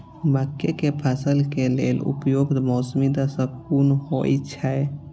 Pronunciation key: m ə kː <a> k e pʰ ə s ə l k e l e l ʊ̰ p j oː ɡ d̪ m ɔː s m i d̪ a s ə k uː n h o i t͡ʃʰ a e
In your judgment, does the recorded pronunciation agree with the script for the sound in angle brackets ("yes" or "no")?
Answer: no